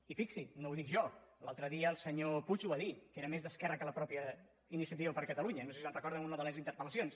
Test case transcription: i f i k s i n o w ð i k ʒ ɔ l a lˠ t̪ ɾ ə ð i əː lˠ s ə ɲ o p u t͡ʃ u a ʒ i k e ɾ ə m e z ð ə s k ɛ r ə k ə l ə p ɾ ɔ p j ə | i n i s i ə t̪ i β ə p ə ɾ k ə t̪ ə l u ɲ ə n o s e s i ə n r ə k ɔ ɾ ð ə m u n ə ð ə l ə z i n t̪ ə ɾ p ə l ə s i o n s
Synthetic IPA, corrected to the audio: i f i k s i n o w ð i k ʒ ɔ l a lˠ t̪ ɾ ə ð i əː lˠ s ə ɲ o p u t͡ʃ u a ð i k e ɾ ə m e z ð ə s k ɛ r ə k ə l ə p ɾ ɔ p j ə | i n i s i ə t̪ i β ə p ə ɾ k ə t̪ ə l u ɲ ə n o s e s i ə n r ə k ɔ ɾ ð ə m u n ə ð ə l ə z i n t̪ ə ɾ p ə l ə s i o n s